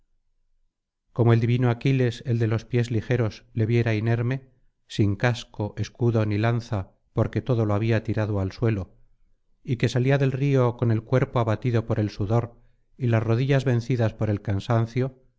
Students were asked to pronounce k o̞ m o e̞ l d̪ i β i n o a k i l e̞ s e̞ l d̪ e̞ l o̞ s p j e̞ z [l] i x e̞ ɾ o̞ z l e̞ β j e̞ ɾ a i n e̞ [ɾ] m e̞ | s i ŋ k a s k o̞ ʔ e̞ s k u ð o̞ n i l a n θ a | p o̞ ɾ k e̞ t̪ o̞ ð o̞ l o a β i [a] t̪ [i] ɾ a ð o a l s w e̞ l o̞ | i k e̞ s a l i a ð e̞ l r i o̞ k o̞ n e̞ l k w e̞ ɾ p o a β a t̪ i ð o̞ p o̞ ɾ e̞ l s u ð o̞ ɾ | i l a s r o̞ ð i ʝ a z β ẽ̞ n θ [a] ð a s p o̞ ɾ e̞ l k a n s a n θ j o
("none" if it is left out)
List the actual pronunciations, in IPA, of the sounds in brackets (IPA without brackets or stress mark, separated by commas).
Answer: l, ɾ, a, i, i